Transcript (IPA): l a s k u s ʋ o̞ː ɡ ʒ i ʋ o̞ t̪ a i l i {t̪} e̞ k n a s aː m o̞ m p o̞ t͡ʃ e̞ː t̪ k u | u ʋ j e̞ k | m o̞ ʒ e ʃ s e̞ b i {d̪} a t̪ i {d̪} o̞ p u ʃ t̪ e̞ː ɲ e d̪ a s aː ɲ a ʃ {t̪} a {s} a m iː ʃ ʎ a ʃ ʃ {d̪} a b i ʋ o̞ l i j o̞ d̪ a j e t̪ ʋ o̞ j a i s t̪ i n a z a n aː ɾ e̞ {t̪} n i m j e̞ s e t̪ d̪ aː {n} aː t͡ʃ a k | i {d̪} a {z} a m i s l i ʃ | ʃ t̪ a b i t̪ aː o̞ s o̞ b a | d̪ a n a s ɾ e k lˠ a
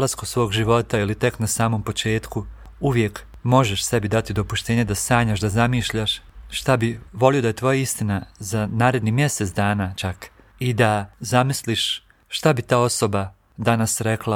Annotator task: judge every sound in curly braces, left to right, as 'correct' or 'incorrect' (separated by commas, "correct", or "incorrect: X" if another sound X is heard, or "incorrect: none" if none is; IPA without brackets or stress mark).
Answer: correct, correct, correct, incorrect: d̪, incorrect: z, incorrect: t̪, incorrect: d̪, correct, correct, correct